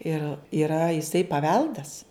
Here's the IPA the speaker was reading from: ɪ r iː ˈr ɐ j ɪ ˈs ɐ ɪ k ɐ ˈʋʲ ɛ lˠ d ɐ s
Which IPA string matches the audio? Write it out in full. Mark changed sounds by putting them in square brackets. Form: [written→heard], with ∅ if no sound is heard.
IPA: ɪ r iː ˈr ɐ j ɪ ˈs ɐ ɪ [k→p] ɐ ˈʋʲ ɛ lˠ d ɐ s